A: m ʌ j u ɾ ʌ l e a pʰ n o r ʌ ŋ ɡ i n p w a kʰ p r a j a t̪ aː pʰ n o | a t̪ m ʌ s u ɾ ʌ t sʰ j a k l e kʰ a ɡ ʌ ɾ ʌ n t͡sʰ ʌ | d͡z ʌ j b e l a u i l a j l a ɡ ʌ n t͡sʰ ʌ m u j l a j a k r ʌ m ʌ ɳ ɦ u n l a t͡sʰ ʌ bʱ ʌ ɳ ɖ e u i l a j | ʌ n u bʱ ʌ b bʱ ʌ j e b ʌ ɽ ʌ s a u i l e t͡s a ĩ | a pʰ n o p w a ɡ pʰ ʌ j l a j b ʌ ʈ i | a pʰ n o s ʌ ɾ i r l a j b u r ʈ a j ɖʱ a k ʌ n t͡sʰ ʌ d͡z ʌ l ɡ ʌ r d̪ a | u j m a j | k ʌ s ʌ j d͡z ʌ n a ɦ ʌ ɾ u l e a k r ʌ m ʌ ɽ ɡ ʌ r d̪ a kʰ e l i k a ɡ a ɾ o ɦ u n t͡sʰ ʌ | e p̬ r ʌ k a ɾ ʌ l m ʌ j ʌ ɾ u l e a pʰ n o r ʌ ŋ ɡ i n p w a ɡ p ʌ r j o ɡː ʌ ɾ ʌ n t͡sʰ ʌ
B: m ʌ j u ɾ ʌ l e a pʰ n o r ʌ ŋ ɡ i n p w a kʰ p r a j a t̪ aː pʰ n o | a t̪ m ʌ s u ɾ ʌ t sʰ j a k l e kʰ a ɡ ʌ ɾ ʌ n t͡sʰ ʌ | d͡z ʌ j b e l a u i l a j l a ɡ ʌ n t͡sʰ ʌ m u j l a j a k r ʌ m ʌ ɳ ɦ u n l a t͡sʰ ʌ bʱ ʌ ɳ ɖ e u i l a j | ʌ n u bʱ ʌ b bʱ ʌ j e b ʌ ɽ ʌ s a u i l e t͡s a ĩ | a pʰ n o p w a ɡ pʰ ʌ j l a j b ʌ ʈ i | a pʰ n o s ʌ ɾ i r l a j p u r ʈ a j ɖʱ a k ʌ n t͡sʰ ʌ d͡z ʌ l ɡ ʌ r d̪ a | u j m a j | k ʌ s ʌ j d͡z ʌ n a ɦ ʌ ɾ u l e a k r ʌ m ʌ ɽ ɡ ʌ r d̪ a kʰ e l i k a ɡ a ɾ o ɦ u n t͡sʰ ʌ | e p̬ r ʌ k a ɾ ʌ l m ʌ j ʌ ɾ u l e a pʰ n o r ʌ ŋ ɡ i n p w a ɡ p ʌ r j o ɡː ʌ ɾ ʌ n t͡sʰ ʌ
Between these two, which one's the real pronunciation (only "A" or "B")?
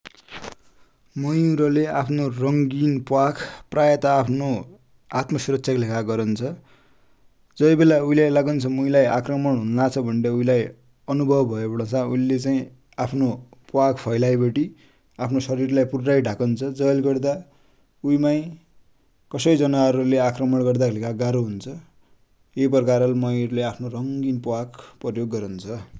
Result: B